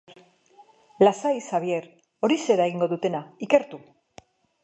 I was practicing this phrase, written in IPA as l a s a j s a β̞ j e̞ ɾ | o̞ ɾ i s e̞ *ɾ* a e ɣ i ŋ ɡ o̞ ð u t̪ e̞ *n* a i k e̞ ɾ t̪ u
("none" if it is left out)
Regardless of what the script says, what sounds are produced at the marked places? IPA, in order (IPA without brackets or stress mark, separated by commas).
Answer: ɾ, n